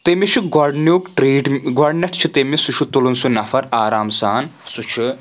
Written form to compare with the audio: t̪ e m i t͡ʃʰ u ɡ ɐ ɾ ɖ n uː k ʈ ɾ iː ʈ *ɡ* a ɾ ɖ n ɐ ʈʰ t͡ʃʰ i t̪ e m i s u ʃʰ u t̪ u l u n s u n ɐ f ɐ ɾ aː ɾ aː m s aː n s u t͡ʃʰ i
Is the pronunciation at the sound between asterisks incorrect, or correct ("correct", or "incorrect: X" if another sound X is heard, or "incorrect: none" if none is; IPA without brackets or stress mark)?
correct